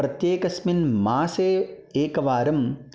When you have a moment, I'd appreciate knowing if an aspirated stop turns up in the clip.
no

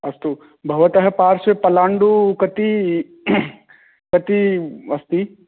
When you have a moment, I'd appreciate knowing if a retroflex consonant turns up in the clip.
yes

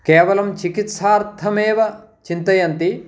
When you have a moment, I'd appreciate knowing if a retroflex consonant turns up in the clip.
no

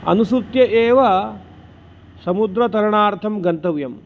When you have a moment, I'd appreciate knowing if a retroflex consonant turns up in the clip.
yes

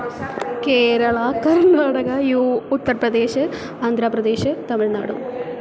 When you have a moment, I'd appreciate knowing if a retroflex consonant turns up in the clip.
yes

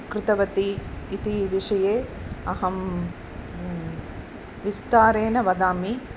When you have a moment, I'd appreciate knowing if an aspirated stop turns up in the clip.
no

